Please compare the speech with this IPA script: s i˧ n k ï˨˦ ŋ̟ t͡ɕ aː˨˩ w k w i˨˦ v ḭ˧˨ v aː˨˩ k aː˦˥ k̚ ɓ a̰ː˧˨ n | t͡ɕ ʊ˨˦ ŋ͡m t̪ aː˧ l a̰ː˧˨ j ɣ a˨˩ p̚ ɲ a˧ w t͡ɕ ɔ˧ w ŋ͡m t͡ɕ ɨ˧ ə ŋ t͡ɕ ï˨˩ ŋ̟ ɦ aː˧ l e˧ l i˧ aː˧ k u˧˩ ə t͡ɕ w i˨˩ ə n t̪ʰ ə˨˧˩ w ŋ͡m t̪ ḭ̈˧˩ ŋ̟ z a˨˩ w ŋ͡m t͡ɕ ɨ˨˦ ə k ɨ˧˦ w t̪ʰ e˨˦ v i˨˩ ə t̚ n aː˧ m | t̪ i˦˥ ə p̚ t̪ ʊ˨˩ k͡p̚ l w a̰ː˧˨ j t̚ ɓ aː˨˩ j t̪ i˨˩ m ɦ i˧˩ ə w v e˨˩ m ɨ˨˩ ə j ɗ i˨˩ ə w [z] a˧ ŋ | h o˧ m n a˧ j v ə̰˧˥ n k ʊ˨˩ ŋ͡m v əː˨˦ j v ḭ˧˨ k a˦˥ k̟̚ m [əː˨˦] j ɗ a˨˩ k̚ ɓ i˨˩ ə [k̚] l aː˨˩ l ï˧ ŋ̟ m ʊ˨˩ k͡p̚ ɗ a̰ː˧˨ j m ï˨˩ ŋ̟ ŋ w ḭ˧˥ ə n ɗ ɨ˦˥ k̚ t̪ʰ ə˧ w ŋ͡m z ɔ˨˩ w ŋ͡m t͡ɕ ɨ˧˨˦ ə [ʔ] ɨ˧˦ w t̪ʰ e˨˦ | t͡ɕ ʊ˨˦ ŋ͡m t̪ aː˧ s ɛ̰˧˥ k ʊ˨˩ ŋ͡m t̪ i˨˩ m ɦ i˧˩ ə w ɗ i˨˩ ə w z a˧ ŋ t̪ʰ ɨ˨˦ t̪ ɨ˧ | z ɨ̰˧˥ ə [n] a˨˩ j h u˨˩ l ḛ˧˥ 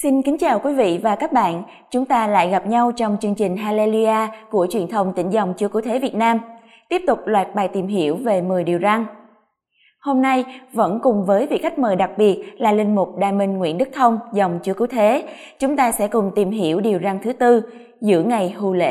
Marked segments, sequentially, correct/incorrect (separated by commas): correct, incorrect, incorrect, incorrect, incorrect